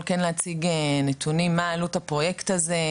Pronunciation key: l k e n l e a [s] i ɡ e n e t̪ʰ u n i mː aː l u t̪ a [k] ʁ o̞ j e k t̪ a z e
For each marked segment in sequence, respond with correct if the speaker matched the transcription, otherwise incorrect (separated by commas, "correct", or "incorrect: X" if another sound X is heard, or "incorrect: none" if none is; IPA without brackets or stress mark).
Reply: incorrect: t͡s, incorrect: p